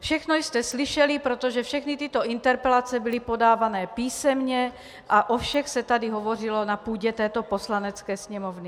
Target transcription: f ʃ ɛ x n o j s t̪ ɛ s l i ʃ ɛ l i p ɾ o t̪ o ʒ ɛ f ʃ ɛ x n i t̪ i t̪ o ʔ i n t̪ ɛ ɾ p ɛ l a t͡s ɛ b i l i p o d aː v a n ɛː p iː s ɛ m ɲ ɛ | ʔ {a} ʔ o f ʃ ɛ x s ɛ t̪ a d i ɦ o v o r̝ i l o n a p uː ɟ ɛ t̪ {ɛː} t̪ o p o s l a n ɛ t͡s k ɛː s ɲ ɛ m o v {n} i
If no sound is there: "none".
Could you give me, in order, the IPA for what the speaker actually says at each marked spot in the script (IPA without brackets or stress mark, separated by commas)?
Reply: a, ɛː, n